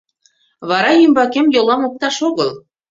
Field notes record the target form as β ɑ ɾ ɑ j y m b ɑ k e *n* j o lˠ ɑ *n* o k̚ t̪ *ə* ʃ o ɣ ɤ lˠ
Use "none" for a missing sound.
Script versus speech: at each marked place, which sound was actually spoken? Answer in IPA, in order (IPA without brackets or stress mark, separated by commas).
m, m, ɑ